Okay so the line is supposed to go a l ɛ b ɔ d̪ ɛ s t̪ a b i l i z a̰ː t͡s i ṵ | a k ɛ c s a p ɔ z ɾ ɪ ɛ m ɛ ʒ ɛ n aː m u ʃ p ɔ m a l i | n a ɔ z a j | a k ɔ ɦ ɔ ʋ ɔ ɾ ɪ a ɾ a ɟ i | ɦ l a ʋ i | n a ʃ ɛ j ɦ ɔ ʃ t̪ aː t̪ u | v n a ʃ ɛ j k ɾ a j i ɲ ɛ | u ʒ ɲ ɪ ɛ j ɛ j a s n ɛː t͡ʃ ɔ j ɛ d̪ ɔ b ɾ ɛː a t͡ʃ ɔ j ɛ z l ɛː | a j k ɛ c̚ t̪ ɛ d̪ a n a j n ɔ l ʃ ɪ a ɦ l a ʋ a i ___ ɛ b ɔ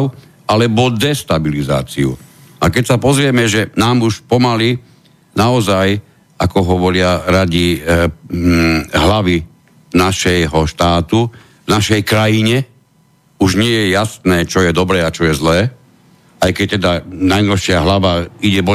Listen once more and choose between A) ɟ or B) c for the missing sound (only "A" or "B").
A